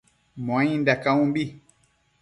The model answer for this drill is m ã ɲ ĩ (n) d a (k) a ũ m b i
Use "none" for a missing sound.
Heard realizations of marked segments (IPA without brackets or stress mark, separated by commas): n, k